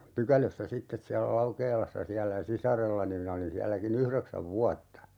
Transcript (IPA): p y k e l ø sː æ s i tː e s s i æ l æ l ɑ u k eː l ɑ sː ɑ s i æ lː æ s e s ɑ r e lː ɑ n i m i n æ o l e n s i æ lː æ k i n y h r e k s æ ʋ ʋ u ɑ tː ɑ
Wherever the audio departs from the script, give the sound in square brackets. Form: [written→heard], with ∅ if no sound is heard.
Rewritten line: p y k [e→æ] l ø sː æ s i tː e s s i æ [l→lː] æ l ɑ u k eː l ɑ sː ɑ s i æ lː æ s [e→i] s ɑ r e lː ɑ n i m i n æ o l [e→i] n s i æ lː æ k i n y h r e k s æ ʋ ʋ u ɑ tː ɑ

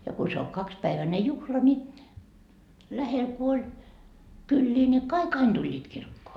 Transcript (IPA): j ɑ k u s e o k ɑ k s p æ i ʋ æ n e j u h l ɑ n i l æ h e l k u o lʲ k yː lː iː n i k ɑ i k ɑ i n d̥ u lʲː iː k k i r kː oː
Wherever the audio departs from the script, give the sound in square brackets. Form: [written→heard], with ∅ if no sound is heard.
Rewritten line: j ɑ k u s e o k ɑ k s p æ i ʋ æ n e j u h l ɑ n i l æ h e l k u o lʲ k [yː→y] lː iː n i k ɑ i k ɑ i n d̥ u lʲː iː [k→t] k i r kː oː

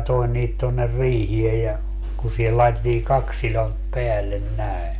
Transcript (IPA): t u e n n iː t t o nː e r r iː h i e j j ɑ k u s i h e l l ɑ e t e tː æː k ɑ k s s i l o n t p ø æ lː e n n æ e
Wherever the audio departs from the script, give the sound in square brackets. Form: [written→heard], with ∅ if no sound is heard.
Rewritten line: t [u→o] e n n iː t t o nː e r r iː h i e j j ɑ k u s i h e l l ɑ e t e tː [æː→iː] k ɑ k s s i l o n t p [ø→e] æ lː e n n æ e

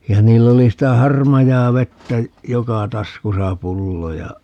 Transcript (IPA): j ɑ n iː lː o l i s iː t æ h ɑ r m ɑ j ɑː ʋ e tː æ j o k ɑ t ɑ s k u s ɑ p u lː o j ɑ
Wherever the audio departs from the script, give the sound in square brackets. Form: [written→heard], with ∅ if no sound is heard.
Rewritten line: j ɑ n iː lː o l i s [iː→i] t æ h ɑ r m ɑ j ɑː ʋ e tː æ j o k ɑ t ɑ s k u s ɑ p u lː o j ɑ

